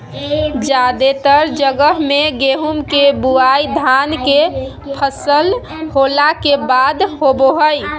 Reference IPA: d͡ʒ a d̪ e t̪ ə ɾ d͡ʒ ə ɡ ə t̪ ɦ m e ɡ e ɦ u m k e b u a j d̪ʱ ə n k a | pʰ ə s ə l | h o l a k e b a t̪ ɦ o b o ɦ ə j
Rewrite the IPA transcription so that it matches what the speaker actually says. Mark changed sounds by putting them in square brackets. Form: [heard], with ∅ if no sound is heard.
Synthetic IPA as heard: d͡ʒ a d̪ e t̪ ə ɾ d͡ʒ ə ɡ ə [∅] ɦ m e ɡ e ɦ u m k e b u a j d̪ʱ [a] n k [e] | pʰ ə s ə l | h o l a k e b a [d̪] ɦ o b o ɦ ə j